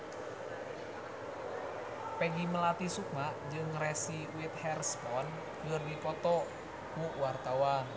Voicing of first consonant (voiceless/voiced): voiceless